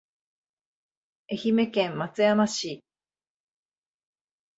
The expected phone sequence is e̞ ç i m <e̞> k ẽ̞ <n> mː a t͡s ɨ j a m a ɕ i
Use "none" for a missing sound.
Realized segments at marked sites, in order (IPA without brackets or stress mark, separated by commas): e̞, m